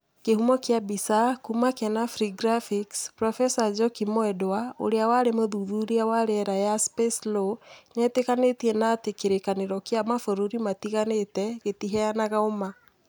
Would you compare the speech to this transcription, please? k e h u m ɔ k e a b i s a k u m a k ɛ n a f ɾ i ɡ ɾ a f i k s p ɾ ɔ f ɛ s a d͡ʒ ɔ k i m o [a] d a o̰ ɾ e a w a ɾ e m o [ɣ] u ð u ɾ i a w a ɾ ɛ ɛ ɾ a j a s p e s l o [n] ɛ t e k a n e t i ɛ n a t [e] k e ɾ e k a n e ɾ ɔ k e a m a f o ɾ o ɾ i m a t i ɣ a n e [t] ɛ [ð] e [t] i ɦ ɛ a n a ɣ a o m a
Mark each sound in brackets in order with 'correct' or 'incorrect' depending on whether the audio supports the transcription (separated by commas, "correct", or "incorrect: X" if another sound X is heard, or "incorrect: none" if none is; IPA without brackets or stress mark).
incorrect: ɛ, incorrect: ð, incorrect: ɲ, correct, correct, incorrect: ɣ, correct